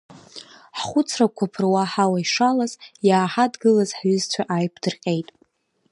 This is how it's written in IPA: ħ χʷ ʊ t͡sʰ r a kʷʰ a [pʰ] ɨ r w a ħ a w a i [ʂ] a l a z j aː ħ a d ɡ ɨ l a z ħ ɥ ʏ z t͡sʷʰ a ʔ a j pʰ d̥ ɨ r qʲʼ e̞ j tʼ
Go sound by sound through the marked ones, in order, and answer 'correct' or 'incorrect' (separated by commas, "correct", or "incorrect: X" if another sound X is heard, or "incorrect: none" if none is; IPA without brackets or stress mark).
correct, correct